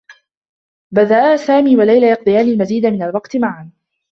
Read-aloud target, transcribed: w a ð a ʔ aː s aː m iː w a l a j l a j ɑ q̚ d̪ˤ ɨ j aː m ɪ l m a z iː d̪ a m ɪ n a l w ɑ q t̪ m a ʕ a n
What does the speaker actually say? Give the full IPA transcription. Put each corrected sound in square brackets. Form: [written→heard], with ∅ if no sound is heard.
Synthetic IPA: [w→b] a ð a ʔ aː s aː m iː w a l a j l a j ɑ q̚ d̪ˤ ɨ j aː [m→n] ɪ l m a z iː d̪ a m ɪ n a l w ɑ q t̪ m a ʕ a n